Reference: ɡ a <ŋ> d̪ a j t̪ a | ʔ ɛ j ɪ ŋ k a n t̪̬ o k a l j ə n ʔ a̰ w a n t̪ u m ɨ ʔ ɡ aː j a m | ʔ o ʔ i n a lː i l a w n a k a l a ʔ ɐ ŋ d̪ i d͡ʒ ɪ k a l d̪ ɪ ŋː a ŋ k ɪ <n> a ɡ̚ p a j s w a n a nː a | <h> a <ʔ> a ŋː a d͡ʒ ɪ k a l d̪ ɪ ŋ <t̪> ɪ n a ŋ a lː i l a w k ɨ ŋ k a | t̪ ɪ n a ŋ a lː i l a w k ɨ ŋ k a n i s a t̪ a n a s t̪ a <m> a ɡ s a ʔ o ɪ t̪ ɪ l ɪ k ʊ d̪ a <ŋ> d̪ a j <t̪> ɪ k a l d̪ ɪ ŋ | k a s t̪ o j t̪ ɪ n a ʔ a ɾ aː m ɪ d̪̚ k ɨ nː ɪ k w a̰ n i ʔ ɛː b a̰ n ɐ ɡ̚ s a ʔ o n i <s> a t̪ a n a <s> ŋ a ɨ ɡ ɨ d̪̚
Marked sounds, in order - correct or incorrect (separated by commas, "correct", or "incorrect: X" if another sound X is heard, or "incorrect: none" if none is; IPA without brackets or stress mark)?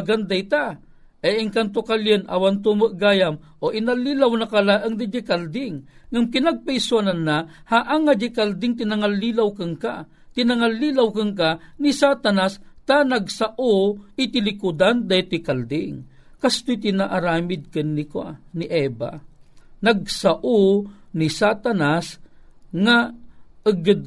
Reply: incorrect: n, correct, correct, correct, correct, incorrect: n, incorrect: n, correct, correct, correct